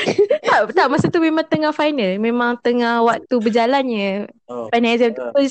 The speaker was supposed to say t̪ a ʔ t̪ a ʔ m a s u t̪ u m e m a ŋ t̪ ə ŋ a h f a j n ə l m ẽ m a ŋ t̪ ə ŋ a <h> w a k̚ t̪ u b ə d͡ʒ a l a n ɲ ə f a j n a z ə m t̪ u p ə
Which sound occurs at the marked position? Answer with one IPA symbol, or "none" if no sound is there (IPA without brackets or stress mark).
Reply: h